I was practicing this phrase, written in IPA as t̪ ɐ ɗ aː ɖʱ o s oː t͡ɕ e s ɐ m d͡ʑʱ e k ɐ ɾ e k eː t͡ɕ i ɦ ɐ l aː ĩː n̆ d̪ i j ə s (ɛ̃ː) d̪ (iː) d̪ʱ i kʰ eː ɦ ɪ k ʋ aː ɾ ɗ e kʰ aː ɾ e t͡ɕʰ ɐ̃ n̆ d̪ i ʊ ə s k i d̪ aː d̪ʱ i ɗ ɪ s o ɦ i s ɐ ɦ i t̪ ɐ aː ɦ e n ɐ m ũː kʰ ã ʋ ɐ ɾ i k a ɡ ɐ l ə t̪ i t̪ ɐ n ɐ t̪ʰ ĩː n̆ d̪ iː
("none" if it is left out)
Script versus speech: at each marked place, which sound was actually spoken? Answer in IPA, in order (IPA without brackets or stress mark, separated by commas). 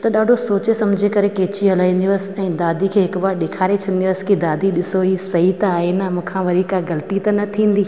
ɛ̃ː, aː